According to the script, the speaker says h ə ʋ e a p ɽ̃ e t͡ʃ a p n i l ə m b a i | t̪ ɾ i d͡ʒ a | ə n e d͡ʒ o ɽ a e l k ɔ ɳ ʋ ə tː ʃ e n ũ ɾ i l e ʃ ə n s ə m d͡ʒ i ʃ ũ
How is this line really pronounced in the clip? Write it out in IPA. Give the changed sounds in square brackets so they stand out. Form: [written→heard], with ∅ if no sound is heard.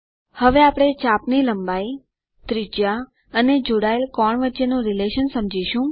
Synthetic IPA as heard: h ə ʋ e a p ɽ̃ e t͡ʃ a p n i l ə m b a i | t̪ ɾ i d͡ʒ a | ə n e d͡ʒ o ɽ a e l k ɔ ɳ ʋ ə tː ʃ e n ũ ɾ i l e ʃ ə n s ə m d͡ʒ i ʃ ũ